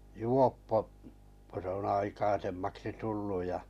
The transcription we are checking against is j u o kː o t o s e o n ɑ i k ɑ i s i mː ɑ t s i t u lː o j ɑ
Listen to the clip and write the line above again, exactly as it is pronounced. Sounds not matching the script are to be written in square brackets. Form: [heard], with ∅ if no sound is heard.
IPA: j u o [pː] o [k] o s e o n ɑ i k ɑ i s [e] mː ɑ [k] s i t u lː [u] j ɑ